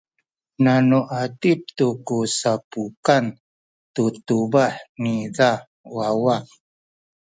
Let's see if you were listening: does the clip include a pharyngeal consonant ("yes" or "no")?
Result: yes